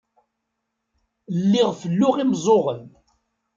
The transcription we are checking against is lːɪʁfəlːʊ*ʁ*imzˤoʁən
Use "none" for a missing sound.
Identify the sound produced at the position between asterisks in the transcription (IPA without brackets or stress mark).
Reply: ʁ